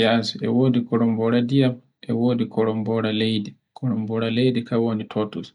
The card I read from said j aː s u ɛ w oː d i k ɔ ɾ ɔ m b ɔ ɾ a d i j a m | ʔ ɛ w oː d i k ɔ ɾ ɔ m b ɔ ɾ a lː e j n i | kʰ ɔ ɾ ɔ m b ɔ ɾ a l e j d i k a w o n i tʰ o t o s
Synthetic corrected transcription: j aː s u ɛ w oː d i k ɔ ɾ ɔ m b ɔ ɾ a d i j a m | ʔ ɛ w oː d i k ɔ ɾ ɔ m b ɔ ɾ a l e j d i | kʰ ɔ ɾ ɔ m b ɔ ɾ a l e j d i k a w o n i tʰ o t u s